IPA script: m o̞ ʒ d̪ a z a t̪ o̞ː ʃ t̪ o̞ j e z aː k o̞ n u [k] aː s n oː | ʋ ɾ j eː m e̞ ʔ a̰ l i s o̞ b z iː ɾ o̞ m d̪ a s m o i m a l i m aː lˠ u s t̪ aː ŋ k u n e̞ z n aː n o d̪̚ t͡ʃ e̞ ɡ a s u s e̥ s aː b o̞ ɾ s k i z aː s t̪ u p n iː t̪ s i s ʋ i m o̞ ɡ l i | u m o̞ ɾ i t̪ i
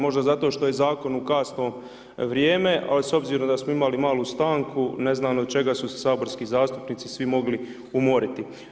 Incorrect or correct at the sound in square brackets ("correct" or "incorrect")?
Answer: correct